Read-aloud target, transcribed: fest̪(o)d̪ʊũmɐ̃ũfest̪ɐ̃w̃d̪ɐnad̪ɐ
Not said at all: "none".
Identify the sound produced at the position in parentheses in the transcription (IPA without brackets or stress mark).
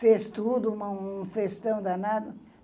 u